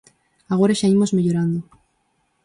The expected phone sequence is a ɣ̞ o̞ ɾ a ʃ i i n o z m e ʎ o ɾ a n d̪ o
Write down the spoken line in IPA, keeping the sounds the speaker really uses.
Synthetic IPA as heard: a ɣ̞ o̞ ɾ a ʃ a i m o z m e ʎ o ɾ a n d̪ o